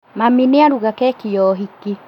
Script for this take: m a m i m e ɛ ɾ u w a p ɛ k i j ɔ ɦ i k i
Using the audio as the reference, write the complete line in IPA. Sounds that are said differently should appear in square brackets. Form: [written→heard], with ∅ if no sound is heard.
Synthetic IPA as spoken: m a m i [m→n] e [ɛ→a] ɾ u [w→ɣ] a [p→k] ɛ k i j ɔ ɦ i k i